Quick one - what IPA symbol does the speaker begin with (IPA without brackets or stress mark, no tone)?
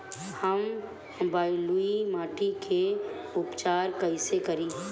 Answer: h